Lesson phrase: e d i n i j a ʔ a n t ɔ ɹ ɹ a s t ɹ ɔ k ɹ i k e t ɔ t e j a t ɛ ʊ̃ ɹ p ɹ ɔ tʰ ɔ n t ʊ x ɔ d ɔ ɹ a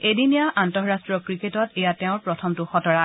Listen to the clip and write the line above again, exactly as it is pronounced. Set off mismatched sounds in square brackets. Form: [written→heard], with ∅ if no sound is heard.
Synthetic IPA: e d i n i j a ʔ a n t ɔ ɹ ɹ a s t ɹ ɔ k ɹ i k e t ɔ t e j a t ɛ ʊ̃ ɹ p ɹ ɔ tʰ ɔ [n→m] t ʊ x ɔ [d→t] ɔ ɹ a